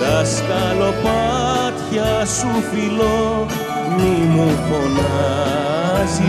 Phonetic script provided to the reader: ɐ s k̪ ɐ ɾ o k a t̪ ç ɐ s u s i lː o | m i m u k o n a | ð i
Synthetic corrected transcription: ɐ s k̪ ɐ l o p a t̪ ç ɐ s u f i l o | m i m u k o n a | z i